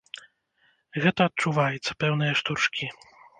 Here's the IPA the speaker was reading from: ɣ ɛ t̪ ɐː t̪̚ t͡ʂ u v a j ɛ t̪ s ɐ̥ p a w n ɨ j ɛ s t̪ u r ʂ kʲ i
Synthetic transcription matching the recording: ɣ ɛ t̪ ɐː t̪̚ t͡ʂ u v a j ɛ t̪ s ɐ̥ p ɛ w n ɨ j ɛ ʂ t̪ u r ʂ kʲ i